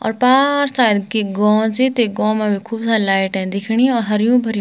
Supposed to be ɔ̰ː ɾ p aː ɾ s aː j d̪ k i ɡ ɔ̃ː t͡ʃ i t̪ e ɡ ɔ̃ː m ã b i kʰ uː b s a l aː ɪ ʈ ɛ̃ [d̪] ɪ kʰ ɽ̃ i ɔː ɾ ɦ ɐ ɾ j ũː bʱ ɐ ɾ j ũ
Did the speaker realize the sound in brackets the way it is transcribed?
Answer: yes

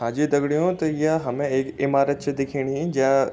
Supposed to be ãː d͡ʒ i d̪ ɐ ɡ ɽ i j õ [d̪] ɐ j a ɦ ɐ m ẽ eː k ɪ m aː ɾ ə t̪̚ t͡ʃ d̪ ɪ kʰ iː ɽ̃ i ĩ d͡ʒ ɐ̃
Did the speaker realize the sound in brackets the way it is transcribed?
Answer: no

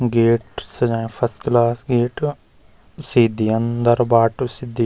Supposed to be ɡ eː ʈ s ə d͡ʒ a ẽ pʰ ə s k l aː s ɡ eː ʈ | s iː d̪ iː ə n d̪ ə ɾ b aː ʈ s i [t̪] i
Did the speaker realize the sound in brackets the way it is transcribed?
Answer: no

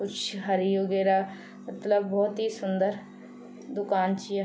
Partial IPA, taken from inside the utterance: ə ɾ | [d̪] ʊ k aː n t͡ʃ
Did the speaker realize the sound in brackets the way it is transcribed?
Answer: yes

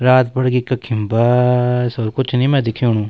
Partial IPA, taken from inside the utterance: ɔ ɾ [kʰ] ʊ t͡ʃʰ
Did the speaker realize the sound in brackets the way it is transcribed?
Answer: no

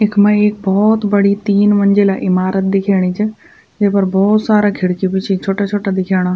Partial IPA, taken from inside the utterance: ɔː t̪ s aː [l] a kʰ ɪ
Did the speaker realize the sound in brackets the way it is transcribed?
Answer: no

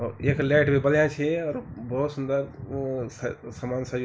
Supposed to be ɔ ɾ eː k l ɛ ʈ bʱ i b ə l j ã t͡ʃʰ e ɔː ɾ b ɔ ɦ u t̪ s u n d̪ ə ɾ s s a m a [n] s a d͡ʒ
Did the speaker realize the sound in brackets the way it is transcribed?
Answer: yes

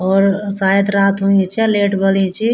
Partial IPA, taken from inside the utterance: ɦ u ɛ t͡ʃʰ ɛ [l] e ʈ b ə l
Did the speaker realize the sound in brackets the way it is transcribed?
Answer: yes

